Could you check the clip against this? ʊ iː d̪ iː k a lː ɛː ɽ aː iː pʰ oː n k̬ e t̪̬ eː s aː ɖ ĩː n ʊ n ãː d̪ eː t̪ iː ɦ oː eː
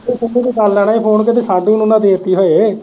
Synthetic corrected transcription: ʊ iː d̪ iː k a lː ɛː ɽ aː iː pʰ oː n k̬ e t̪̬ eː s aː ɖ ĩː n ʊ n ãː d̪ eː t̪ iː ɦ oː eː

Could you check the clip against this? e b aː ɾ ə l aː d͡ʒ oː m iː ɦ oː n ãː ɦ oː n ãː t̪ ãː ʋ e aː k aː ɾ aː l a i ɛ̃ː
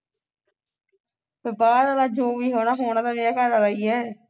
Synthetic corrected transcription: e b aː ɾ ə l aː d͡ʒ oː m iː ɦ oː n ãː ɦ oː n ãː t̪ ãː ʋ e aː k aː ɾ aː l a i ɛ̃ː

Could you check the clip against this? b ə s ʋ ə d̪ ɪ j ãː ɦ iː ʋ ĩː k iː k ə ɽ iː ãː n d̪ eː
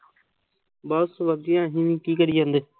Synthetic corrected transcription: b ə s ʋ ə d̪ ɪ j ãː ɦ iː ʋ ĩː k iː k ə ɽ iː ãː n d̪ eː

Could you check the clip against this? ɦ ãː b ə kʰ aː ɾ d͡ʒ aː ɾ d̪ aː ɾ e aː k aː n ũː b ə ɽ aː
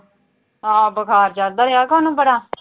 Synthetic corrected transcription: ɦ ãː b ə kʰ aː ɾ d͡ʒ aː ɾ d̪ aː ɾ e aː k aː n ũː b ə ɽ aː

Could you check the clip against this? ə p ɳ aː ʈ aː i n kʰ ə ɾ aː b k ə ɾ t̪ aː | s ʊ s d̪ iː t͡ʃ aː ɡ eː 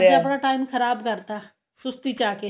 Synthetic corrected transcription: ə p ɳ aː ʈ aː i m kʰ ə ɾ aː b k ə ɾ t̪ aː | s ʊ s t̪ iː t͡ʃ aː k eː

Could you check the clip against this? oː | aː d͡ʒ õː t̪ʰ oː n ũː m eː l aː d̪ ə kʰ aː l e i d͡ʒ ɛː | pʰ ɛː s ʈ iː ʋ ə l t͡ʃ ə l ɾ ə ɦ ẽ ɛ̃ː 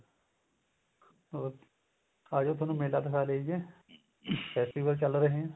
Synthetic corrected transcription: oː | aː d͡ʒ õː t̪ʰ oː n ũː m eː l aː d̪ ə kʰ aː l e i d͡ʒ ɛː | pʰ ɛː s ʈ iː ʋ ə l t͡ʃ ə l ɾ ə ɦ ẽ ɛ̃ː

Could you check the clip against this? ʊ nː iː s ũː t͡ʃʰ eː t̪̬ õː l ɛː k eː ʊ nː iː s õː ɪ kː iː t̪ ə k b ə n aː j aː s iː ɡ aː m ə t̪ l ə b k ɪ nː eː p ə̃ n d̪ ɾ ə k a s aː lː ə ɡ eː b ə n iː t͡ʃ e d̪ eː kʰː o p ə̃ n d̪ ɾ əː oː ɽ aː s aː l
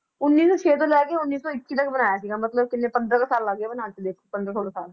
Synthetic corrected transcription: ʊ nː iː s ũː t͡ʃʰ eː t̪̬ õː l ɛː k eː ʊ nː iː s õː ɪ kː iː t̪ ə k b ə n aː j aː s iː ɡ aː m ə t̪ l ə b k ɪ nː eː p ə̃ n d̪ ɾ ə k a s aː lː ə ɡ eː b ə n aː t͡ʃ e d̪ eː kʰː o p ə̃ n d̪ ɾ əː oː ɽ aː s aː l

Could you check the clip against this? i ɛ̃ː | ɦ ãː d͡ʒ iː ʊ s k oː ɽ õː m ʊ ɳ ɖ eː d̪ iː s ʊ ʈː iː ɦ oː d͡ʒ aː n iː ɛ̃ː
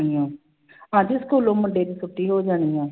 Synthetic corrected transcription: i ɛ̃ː | ɦ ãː d͡ʒ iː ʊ s k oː l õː m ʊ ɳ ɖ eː d̪ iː s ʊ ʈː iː ɦ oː d͡ʒ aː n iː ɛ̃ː

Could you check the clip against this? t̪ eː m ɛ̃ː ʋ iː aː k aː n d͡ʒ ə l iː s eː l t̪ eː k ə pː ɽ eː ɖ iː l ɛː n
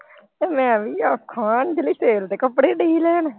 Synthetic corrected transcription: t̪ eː m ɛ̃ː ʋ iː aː kʰ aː n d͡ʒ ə l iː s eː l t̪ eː k ə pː ɽ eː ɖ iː l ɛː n

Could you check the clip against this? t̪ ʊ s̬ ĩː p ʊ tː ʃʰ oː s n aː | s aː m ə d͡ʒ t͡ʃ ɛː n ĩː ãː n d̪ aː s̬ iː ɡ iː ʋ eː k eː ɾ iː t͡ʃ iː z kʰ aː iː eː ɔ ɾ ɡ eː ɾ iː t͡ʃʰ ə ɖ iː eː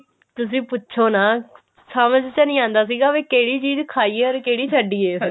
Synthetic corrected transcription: t̪ ʊ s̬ ĩː p ʊ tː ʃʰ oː n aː | s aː m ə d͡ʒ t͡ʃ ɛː n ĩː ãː n d̪ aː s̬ iː ɡ aː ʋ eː k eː ɽ iː t͡ʃ iː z kʰ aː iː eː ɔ ɾ k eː ɽ iː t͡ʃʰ ə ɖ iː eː

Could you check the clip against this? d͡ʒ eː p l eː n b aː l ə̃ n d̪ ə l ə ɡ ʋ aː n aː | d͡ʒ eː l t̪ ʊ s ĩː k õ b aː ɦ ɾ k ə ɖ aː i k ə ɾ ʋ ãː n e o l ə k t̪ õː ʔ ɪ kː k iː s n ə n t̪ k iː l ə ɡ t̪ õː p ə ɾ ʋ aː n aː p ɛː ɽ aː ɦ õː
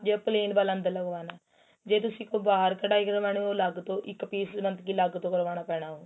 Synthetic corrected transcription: d͡ʒ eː p l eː n b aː l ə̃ n d̪ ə l ə ɡ ʋ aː n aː | d͡ʒ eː t̪ ʊ s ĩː k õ b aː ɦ ɾ k ə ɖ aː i k ə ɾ ʋ aː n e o l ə ɡ t̪ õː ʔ ɪ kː p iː s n ə n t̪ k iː l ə ɡ t̪ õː k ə ɾ ʋ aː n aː p ɛː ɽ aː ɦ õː

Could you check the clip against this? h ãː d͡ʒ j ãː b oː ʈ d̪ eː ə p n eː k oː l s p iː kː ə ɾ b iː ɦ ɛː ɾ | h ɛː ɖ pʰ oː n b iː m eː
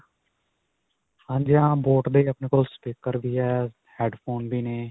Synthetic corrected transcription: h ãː d͡ʒ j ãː b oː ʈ d̪ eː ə p n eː k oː l s p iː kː ə ɾ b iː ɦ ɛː | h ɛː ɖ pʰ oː n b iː n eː

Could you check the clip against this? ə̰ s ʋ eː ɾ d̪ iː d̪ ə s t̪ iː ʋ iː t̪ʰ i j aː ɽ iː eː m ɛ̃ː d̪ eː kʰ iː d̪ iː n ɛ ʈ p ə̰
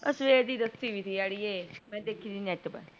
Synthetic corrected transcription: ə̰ s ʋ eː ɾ d̪ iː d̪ ə s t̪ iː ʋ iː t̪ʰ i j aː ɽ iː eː m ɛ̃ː d̪ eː kʰ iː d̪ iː n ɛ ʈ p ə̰

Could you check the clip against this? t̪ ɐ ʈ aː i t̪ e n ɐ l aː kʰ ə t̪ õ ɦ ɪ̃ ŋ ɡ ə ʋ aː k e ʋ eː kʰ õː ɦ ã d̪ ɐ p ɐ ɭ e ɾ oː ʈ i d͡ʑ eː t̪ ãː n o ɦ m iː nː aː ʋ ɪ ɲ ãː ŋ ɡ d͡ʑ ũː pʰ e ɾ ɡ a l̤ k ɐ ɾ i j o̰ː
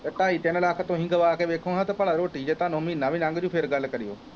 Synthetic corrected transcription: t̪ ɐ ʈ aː i t̪ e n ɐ l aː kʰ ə t̪ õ ɦ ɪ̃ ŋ ɡ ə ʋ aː k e ʋ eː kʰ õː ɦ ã t̪ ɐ p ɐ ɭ a ɾ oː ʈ i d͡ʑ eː t̪ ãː n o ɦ m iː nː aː ʋ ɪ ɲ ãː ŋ ɡ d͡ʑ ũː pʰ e ɾ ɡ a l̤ k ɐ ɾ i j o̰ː

